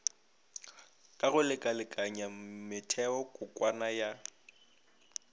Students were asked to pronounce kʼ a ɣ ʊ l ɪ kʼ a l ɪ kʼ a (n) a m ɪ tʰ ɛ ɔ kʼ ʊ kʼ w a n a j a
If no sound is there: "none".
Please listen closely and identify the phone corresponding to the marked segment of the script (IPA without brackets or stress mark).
ɲ